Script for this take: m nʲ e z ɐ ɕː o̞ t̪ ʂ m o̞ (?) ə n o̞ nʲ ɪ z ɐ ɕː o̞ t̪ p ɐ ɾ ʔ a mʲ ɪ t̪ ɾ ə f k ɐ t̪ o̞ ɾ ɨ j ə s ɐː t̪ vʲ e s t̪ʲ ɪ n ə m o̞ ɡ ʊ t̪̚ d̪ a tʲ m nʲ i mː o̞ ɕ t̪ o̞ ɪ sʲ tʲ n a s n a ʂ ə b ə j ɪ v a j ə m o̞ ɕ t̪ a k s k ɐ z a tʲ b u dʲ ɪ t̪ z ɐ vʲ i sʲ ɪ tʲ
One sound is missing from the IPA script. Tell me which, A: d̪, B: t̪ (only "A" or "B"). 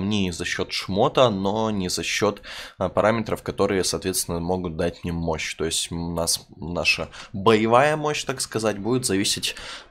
B